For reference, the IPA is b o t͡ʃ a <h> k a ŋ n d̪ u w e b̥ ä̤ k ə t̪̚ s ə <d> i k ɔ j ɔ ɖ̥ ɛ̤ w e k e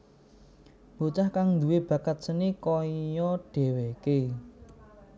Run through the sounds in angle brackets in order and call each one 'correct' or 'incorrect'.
correct, incorrect

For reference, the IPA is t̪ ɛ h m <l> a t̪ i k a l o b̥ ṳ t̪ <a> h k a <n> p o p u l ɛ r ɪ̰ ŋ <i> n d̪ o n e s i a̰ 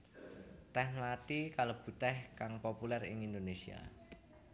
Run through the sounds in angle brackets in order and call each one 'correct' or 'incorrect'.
correct, incorrect, incorrect, correct

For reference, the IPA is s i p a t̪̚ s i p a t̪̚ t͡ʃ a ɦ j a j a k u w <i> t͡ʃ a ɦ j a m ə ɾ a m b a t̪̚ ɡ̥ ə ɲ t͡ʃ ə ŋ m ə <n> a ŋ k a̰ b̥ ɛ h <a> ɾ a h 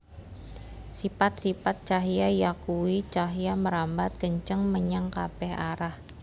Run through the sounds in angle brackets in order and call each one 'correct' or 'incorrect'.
correct, incorrect, correct

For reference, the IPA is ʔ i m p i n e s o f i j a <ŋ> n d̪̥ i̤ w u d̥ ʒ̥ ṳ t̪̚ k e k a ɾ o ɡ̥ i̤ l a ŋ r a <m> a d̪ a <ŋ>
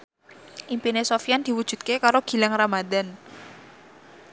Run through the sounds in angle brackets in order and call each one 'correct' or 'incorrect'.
incorrect, correct, incorrect

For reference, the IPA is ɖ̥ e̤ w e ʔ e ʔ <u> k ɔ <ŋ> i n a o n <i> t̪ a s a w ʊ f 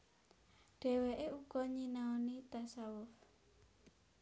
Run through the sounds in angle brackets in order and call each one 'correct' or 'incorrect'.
correct, incorrect, correct

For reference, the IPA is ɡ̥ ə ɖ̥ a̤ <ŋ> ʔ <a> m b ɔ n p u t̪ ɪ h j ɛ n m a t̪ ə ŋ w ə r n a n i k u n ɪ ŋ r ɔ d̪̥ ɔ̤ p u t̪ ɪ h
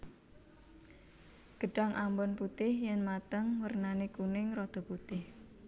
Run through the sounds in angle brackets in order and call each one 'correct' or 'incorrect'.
correct, correct

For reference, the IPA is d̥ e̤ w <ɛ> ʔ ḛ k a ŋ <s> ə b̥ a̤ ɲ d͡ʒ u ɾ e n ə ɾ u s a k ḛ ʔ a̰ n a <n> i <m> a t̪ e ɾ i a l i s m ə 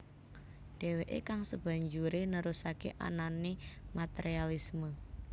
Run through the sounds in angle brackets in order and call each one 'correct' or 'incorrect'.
incorrect, correct, correct, correct

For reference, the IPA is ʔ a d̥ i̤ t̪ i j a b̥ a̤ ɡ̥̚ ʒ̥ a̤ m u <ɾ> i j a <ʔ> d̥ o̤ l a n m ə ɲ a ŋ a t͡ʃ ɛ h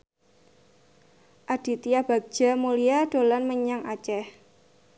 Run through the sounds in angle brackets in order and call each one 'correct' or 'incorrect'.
incorrect, incorrect

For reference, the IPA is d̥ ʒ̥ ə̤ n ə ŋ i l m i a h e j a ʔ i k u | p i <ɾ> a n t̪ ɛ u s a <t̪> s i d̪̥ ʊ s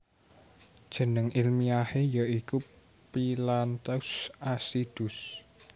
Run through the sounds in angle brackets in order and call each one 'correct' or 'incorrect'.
incorrect, incorrect

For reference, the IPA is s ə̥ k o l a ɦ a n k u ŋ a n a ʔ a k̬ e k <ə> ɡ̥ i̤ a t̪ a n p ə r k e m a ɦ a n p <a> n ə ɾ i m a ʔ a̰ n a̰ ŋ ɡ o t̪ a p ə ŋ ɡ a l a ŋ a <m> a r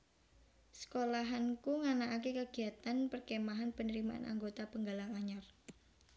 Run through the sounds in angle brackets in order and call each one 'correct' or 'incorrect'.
correct, incorrect, incorrect

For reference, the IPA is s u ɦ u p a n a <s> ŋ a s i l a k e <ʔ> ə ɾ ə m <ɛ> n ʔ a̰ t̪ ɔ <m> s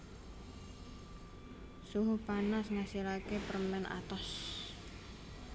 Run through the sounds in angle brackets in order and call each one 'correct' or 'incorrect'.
correct, incorrect, correct, incorrect

